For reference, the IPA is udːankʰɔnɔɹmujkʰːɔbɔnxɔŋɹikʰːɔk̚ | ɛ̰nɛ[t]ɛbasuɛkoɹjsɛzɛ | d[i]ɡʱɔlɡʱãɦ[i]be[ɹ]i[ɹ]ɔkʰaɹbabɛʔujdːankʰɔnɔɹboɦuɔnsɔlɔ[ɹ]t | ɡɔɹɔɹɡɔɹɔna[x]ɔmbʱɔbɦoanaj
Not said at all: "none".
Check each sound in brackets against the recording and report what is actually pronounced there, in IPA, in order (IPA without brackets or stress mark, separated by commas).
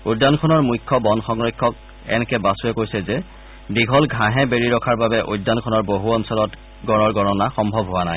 k, i, ɛ, ɹ, ɹ, none, x